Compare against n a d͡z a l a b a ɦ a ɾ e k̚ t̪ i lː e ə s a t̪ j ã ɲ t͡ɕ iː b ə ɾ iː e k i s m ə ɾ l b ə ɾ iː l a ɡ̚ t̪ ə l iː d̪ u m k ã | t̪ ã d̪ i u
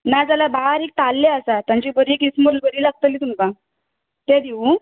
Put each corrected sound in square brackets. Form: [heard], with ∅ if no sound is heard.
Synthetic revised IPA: n a d͡z a l a b a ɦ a ɾ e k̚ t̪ [a] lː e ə s a t̪ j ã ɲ t͡ɕ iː b ə ɾ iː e k i s m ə ɾ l b ə ɾ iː l a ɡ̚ t̪ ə l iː [t̪] u m k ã | t̪ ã d̪ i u